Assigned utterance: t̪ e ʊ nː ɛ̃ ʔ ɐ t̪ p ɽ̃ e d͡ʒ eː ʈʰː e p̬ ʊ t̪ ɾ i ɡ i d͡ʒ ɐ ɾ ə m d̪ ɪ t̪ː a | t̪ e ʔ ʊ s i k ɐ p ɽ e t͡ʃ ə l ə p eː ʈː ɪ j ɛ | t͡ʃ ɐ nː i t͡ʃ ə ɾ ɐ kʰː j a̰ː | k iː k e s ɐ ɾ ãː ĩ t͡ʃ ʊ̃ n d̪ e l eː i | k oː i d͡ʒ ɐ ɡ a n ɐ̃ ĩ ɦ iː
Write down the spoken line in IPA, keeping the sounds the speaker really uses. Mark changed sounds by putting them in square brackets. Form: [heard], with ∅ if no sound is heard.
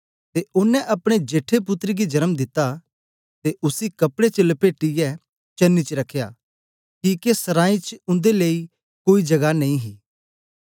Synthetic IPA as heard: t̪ e ʊ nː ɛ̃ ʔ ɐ [∅] p ɽ̃ e d͡ʒ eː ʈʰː e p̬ ʊ t̪ ɾ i ɡ i d͡ʒ ɐ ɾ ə m d̪ ɪ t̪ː a | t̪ e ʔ ʊ s i k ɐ p ɽ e t͡ʃ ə l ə p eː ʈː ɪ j ɛ | t͡ʃ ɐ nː i t͡ʃ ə ɾ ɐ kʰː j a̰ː | k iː k e s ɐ ɾ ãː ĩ t͡ʃ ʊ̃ n d̪ e l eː i | k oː i d͡ʒ ɐ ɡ a n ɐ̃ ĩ ɦ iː

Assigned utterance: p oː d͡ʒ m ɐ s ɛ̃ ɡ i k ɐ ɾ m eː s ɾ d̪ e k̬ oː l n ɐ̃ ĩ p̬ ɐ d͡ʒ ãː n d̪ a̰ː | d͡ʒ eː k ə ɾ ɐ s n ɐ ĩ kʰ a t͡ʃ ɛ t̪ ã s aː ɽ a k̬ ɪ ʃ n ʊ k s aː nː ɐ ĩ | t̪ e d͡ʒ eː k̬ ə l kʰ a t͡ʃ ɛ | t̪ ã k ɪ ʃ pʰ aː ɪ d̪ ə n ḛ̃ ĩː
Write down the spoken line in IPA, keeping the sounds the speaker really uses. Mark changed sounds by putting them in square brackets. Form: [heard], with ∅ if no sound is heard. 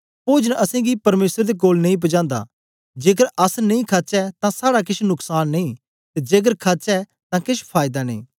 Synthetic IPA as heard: p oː d͡ʒ [n] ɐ s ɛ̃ ɡ i [p] ɐ ɾ m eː s ɾ d̪ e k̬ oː l n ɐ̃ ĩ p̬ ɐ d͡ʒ ãː n d̪ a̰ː | d͡ʒ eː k ə ɾ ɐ s n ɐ ĩ kʰ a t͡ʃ ɛ t̪ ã s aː ɽ a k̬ ɪ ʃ n ʊ k s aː nː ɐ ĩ | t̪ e d͡ʒ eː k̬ ə [ɾ] kʰ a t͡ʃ ɛ | t̪ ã k ɪ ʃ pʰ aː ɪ d̪ [a] n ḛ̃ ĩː

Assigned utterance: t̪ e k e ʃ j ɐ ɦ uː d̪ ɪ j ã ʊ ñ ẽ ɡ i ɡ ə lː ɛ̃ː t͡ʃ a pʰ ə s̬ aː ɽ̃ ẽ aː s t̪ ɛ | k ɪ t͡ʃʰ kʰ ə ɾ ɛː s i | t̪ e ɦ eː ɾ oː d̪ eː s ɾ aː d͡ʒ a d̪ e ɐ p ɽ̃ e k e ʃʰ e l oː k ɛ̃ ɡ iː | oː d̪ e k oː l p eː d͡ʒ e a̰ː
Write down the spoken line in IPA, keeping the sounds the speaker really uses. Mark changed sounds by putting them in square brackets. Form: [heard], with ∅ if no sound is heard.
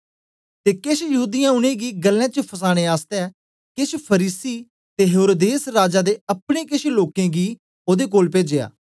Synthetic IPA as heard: t̪ e k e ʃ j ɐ ɦ uː d̪ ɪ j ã ʊ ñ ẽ ɡ i ɡ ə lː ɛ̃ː t͡ʃ [ə] pʰ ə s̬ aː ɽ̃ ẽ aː s t̪ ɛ | k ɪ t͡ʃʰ [pʰ] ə ɾ [iː] s i | t̪ e ɦ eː ɾ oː d̪ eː s ɾ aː d͡ʒ a d̪ e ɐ p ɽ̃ e k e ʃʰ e l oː k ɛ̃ ɡ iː | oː d̪ e k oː l p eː d͡ʒ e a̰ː

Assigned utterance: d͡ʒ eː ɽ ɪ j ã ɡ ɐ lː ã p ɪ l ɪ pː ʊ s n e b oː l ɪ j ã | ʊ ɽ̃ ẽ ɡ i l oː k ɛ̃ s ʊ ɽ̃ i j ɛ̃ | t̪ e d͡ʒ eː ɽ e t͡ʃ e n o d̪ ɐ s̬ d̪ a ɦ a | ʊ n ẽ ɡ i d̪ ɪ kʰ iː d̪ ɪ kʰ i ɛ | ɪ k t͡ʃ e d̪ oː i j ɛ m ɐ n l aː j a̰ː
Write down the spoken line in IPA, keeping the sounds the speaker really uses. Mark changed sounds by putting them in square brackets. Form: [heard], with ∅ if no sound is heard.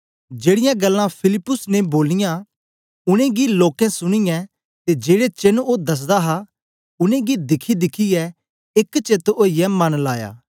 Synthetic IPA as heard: d͡ʒ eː ɽ ɪ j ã ɡ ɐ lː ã [pʰ] ɪ l ɪ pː ʊ s n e b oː l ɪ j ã | ʊ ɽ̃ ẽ ɡ i l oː k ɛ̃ s ʊ ɽ̃ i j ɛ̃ | t̪ e d͡ʒ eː ɽ e t͡ʃ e n o d̪ ɐ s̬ d̪ a ɦ a | ʊ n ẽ ɡ i d̪ ɪ kʰ [i] d̪ ɪ kʰ i ɛ | ɪ k t͡ʃ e [t̪] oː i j ɛ m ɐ n l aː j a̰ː

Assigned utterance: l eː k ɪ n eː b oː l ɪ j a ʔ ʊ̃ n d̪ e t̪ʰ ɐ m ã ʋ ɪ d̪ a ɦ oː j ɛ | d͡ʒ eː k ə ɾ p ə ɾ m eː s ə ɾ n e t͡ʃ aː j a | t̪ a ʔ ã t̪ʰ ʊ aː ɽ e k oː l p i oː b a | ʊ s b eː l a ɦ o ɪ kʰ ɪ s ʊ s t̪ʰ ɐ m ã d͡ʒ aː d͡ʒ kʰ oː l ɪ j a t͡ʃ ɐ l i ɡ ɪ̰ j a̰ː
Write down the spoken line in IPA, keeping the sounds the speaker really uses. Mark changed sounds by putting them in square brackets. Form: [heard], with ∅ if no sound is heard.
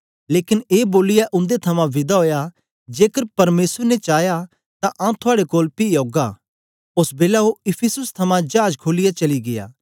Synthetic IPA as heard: l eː k ɪ n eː b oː l ɪ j a ʔ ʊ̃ n d̪ e t̪ʰ ɐ m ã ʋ ɪ d̪ a ɦ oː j [a] | d͡ʒ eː k ə ɾ p [ɐ] ɾ m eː s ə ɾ n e t͡ʃ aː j a | t̪ a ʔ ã t̪ʰ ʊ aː ɽ e k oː l p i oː [ɡ] a | ʊ s b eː l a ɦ o ɪ [pʰ] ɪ s ʊ s t̪ʰ ɐ m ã d͡ʒ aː d͡ʒ kʰ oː l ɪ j a t͡ʃ ɐ l i ɡ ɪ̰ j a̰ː

